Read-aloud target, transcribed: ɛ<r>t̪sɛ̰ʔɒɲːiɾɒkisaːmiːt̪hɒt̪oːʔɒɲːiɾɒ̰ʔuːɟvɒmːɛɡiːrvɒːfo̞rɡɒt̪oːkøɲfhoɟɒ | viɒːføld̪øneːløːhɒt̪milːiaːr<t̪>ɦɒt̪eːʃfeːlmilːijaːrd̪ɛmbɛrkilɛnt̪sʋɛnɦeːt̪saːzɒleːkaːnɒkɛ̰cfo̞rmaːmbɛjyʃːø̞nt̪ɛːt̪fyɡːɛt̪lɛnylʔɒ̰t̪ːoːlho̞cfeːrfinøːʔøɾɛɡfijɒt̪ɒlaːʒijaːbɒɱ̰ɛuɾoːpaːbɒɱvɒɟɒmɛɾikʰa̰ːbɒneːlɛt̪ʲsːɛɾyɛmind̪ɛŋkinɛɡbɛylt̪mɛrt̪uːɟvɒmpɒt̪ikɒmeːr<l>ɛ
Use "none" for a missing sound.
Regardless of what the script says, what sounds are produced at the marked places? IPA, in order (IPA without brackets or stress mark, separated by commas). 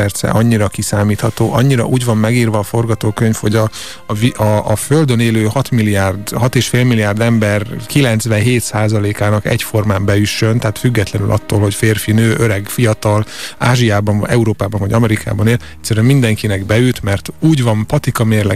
r, d̪, l